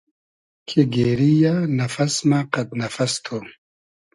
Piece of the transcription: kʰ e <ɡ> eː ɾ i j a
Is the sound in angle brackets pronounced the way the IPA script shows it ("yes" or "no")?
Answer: yes